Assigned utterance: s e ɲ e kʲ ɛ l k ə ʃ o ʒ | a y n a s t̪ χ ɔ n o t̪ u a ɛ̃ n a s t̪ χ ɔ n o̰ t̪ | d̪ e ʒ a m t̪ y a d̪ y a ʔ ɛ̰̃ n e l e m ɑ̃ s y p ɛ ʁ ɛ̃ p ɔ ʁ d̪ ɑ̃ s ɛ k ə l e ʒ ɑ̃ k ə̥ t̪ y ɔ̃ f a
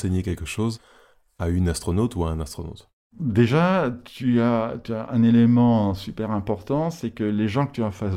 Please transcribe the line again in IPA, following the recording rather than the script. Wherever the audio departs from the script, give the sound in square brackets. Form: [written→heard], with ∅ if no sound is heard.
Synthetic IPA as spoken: s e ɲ e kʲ ɛ l k ə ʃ o [ʒ→z] | a y n a s t̪ χ ɔ n o t̪ u a ɛ̃ n a s t̪ χ ɔ n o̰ t̪ | d̪ e ʒ a [m→∅] t̪ y a [d̪→t̪] y a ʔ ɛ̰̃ n e l e m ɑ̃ s y p ɛ ʁ ɛ̃ p ɔ ʁ [d̪→t̪] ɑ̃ s ɛ k ə l e ʒ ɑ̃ k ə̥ t̪ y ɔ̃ f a